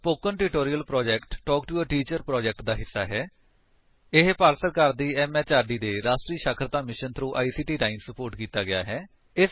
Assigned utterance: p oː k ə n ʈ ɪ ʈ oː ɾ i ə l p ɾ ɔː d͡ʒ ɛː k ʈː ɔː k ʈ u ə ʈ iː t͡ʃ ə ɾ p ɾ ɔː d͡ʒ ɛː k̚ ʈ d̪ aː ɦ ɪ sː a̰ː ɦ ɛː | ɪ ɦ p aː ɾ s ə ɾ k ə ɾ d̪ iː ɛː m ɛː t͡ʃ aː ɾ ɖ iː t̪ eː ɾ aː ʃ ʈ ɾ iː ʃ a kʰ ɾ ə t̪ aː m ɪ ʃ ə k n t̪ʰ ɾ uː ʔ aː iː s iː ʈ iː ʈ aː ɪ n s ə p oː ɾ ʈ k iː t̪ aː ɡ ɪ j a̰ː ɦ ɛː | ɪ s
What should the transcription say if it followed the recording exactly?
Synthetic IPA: p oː k ə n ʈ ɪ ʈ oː ɾ i ə l p ɾ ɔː d͡ʒ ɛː k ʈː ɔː k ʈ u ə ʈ iː t͡ʃ ə ɾ p ɾ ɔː d͡ʒ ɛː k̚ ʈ d̪ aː ɦ ɪ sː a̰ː ɦ ɛː | ɪ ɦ p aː ɾ s ə ɾ k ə ɾ d̪ iː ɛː m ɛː t͡ʃ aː ɾ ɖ iː d̪ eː ɾ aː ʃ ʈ ɾ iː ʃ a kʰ ɾ ə t̪ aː m ɪ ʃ ə n t̪ʰ ɾ uː ʔ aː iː s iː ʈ iː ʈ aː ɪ n s ə p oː ɾ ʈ k iː t̪ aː ɡ ɪ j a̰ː ɦ ɛː | ɪ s